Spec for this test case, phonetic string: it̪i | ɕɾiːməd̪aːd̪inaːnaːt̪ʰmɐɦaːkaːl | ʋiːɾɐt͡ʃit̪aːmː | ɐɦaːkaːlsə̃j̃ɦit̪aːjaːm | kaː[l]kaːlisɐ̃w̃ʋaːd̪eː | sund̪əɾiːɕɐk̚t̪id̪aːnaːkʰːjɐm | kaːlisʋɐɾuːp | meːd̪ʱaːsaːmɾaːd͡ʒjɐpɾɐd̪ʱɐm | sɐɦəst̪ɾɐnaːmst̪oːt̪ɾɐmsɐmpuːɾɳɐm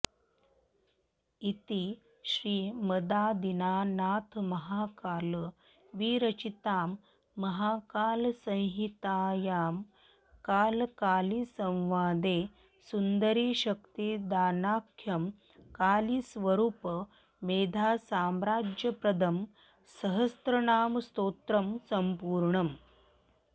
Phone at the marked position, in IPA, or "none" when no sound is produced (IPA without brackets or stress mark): l